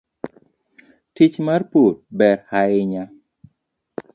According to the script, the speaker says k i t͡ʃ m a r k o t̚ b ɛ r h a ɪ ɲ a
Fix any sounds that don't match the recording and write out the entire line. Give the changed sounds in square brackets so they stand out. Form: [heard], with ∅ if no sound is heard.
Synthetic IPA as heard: [t] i t͡ʃ m a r [p] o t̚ b ɛ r h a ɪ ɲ a